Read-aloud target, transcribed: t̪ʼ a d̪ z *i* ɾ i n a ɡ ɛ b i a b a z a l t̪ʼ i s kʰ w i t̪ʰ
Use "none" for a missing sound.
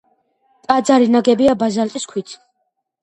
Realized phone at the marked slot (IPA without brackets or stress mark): a